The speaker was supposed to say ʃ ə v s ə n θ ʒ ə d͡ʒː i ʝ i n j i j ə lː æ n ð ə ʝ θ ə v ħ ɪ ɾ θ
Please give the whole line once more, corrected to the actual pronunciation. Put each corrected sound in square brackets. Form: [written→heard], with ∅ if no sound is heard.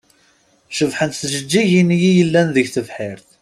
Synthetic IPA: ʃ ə v [s→ħ] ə n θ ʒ ə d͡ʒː i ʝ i n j i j ə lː æ n ð ə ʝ θ ə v ħ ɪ ɾ θ